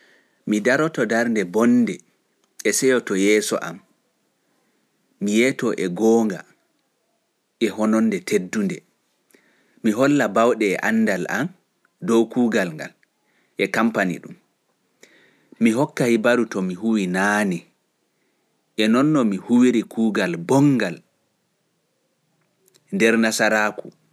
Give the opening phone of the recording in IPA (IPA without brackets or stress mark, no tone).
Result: m